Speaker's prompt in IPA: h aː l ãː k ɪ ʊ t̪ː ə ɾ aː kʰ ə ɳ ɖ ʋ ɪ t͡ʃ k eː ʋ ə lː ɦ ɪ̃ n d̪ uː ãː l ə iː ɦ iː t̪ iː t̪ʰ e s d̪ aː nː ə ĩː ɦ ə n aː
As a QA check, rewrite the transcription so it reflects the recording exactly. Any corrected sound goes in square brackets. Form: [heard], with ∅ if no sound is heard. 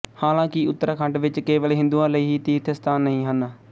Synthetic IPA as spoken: h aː l ãː k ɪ ʊ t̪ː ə ɾ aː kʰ ə ɳ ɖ ʋ ɪ t͡ʃ k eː ʋ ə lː ɦ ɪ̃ n d̪ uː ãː l ə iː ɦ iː t̪ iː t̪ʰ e s [t̪] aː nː ə ĩː ɦ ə n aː